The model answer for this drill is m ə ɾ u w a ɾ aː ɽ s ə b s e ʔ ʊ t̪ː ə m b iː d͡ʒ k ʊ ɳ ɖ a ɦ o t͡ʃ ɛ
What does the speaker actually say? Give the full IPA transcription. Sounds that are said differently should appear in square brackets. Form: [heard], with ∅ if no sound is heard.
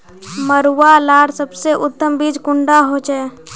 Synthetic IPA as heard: m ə ɾ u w a [l] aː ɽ s ə b s e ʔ ʊ t̪ː ə m b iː d͡ʒ k ʊ ɳ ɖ a ɦ o t͡ʃ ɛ